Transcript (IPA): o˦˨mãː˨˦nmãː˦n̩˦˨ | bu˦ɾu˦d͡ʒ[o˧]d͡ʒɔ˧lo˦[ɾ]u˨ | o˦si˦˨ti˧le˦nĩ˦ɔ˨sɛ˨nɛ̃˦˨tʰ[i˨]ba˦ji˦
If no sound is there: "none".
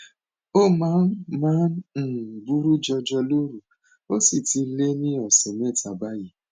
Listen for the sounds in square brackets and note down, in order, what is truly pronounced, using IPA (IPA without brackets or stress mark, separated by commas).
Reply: ɔ˧, ɾ, a˨